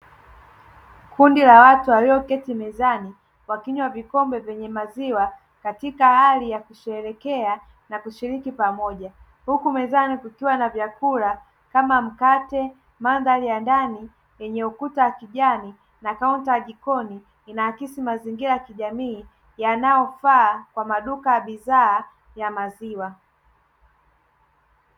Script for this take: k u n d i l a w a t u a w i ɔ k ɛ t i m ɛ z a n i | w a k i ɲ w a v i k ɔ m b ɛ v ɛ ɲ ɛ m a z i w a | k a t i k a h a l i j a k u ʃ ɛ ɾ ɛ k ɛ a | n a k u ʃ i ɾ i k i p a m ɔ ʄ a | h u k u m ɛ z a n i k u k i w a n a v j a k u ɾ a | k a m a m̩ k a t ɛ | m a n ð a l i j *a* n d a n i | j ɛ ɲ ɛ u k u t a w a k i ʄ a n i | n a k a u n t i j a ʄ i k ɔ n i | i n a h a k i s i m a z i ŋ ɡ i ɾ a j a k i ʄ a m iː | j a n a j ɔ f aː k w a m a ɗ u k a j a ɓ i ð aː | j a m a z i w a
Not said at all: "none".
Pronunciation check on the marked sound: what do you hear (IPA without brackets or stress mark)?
a